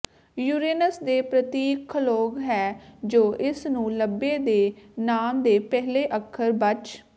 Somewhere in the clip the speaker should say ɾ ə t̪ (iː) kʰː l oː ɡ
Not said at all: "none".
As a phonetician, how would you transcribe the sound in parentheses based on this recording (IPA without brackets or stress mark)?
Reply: iː